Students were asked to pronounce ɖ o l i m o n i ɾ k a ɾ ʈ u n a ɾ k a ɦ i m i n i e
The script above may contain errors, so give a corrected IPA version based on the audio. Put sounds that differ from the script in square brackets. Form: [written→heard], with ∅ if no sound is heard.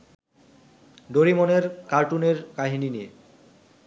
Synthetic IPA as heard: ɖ o [l→ɾ] i m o n [i→e] ɾ k a ɾ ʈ u n [a→e] ɾ k a ɦ i [m→n] i n i e